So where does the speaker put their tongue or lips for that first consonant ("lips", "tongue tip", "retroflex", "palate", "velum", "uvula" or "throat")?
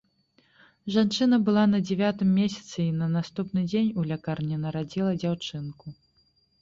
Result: retroflex